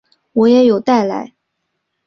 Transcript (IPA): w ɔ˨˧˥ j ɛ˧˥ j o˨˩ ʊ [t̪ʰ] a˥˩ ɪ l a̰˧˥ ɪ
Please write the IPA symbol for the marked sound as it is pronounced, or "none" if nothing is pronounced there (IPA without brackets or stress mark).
t̪